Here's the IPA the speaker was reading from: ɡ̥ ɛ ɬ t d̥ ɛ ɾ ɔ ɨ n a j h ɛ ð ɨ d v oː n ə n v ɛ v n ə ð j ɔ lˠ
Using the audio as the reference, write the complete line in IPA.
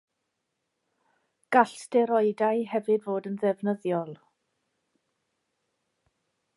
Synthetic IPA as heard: ɡ̥ a ɬ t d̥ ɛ ɾ ɔ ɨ d a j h ɛ v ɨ d v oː d ə n ð ɛ v n ə ð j ɔ lˠ